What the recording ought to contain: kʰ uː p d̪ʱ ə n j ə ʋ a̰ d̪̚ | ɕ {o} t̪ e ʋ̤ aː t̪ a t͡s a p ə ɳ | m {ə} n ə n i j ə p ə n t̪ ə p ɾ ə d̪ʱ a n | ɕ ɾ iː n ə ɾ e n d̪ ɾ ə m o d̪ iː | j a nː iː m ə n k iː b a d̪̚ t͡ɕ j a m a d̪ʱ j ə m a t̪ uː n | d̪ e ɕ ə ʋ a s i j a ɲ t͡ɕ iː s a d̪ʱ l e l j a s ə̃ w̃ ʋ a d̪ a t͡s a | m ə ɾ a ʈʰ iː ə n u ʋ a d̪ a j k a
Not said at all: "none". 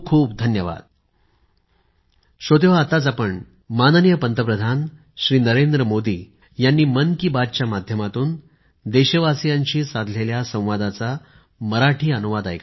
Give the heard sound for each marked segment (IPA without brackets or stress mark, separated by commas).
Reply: o, a